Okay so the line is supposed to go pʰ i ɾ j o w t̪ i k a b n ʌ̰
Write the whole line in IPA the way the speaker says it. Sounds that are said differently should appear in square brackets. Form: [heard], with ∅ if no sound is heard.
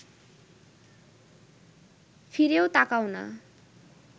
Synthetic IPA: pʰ i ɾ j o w t̪ [a] k a [w] n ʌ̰